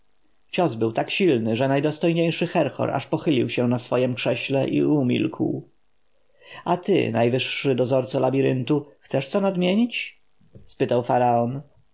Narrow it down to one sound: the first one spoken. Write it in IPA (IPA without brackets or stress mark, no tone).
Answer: t͡ɕ